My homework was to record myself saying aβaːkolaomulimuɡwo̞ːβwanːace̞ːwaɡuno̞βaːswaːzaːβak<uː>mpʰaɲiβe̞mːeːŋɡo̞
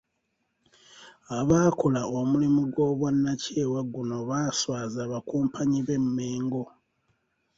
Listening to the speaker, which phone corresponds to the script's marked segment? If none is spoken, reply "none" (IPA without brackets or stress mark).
uː